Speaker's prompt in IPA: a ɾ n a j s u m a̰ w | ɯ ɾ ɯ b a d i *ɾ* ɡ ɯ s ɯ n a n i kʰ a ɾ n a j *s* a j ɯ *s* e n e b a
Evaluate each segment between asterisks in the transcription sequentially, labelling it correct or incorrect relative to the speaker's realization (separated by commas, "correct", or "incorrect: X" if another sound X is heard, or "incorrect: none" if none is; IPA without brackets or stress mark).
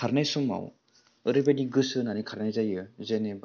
incorrect: none, incorrect: z, incorrect: z